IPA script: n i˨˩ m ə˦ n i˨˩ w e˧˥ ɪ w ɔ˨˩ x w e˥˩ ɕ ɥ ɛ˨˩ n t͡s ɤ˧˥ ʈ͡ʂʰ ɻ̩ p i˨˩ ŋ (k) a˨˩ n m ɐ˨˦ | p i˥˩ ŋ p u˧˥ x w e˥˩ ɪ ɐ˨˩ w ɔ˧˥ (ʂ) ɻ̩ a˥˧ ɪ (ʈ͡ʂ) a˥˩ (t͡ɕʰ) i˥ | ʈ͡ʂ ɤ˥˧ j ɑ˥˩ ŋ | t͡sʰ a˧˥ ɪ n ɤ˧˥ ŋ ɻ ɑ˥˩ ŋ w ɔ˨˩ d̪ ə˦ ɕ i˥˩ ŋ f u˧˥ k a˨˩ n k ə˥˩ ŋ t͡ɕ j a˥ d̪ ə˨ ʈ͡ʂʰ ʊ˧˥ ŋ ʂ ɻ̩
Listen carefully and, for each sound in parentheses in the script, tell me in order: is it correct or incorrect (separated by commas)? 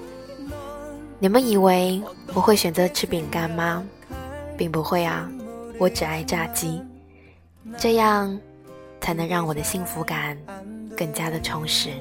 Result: correct, incorrect, correct, incorrect